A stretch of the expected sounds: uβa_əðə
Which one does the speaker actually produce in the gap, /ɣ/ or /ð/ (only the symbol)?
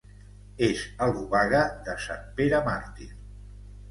ɣ